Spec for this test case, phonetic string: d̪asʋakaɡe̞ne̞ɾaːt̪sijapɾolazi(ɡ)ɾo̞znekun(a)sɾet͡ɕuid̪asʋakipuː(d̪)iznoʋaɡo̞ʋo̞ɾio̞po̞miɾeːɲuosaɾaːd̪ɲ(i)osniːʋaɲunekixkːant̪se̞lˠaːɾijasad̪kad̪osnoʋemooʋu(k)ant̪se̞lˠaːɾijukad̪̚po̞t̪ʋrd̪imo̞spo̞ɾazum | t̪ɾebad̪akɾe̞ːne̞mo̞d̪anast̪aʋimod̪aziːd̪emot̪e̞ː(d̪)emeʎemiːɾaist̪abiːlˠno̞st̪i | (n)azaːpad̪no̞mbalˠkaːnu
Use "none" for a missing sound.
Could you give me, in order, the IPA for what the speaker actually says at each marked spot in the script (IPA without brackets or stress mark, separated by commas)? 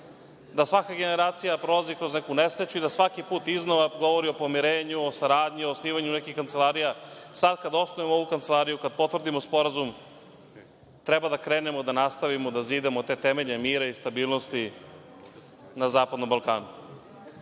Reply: k, e, t̪, i, k, t̪, n